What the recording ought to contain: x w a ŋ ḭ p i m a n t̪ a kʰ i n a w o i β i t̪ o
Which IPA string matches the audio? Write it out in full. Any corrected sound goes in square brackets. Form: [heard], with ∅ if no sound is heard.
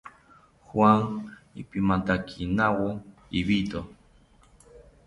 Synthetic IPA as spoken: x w a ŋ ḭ p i m a n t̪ a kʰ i n a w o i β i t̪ o